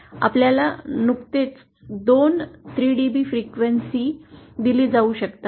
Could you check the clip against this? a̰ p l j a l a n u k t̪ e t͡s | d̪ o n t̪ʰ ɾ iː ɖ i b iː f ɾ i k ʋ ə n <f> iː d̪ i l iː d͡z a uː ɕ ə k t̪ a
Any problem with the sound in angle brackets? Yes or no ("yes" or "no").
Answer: yes